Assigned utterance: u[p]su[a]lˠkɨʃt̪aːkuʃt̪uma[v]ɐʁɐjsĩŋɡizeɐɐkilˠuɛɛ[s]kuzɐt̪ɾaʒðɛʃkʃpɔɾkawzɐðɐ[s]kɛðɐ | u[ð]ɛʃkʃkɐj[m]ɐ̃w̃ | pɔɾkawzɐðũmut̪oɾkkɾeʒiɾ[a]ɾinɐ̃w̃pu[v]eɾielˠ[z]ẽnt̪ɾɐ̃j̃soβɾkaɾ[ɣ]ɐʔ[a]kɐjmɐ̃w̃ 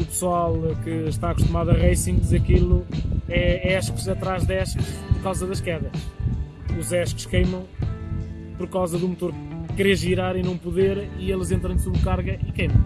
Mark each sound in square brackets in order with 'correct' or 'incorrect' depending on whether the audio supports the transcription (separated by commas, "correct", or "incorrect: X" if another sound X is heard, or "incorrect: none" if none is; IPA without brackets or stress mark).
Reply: correct, correct, incorrect: ð, incorrect: ʃ, incorrect: ʃ, incorrect: z, correct, correct, incorrect: ð, correct, correct, incorrect: i